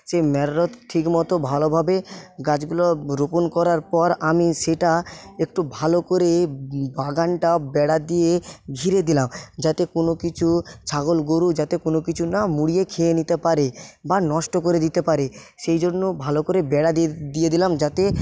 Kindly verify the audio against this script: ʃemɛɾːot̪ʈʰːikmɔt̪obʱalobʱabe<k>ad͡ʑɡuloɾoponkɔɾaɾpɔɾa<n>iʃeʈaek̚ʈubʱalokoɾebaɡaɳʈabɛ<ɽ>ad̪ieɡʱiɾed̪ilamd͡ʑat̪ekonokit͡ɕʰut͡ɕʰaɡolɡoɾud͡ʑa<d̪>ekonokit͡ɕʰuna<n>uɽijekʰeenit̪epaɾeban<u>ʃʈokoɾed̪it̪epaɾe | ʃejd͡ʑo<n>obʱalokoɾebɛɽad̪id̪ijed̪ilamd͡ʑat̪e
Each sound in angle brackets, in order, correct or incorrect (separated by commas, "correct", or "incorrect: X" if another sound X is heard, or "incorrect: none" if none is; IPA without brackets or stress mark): incorrect: ɡ, incorrect: m, correct, incorrect: t̪, incorrect: m, incorrect: ɔ, incorrect: nː